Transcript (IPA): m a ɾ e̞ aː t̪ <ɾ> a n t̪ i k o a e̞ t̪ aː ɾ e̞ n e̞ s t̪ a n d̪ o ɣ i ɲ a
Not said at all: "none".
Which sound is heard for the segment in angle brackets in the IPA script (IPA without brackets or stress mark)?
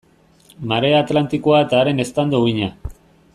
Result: l